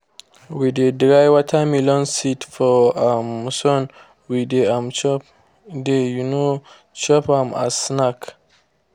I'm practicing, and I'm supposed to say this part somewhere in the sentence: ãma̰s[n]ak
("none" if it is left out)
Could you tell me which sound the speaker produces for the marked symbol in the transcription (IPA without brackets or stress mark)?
n